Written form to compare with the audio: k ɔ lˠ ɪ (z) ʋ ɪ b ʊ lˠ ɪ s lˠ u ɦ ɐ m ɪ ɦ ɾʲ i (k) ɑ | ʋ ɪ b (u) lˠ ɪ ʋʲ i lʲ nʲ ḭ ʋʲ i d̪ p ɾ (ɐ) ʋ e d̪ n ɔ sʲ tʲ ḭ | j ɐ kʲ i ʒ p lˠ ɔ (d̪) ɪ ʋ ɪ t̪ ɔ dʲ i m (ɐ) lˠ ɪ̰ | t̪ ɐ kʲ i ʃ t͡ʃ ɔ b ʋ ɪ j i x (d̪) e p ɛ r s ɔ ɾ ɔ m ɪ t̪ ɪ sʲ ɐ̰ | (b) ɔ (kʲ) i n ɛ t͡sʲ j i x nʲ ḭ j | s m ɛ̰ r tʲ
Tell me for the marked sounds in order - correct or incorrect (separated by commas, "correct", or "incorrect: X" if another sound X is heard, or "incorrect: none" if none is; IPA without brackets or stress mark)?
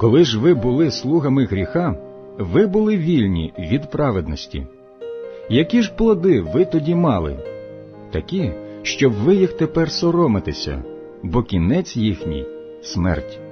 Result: incorrect: ʒ, incorrect: x, incorrect: ʊ, incorrect: ɑ, correct, incorrect: ɑ, incorrect: t̪, correct, correct